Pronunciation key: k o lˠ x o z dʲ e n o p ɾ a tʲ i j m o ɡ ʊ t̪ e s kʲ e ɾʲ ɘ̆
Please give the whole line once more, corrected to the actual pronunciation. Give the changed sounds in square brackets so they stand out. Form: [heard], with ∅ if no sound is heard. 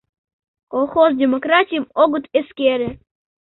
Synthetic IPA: k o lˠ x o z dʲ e [m] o [k] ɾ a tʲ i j m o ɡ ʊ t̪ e s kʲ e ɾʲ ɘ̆